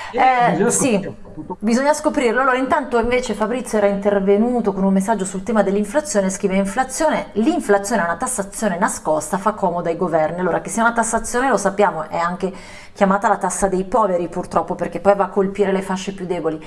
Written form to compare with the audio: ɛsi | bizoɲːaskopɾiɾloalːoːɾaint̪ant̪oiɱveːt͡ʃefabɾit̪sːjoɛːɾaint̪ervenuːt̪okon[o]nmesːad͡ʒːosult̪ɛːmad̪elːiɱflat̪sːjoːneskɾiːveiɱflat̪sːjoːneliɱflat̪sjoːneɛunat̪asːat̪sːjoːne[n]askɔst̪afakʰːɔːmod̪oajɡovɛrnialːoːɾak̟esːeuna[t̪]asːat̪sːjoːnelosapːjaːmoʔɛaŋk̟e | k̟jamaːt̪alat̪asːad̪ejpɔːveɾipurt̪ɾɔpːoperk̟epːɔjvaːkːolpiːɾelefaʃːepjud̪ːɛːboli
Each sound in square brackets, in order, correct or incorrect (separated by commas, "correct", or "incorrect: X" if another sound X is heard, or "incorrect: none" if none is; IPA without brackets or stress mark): incorrect: u, correct, correct